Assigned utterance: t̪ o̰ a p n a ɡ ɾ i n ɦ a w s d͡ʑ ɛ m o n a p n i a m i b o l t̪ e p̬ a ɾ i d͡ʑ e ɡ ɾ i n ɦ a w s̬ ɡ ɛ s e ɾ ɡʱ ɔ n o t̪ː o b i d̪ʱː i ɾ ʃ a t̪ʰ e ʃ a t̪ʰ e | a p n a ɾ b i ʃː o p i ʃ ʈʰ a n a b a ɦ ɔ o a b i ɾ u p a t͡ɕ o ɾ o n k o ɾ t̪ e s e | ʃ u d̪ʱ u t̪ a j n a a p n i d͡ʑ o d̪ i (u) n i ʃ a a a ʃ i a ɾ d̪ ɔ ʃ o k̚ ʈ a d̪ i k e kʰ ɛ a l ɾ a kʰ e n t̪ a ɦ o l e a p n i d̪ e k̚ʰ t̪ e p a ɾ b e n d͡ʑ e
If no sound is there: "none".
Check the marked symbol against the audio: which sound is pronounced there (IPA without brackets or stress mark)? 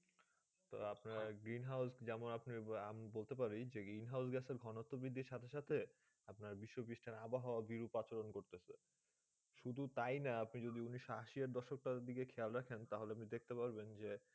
u